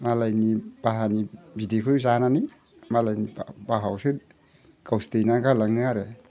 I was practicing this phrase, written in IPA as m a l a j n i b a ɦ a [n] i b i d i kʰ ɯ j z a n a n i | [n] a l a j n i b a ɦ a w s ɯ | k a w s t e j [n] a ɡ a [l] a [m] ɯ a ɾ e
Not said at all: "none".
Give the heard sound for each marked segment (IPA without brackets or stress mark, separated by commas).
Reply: n, m, n, l, ŋ